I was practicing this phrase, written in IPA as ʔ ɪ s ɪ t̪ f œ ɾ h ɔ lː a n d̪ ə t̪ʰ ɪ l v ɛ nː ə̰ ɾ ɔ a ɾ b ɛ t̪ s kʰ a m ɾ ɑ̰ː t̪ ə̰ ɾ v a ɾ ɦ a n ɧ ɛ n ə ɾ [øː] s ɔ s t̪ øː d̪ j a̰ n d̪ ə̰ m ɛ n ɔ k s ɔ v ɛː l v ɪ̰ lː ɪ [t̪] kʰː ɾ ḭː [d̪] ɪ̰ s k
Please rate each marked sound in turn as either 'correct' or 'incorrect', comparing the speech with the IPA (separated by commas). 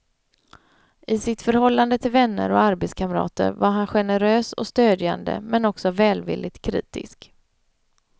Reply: correct, correct, incorrect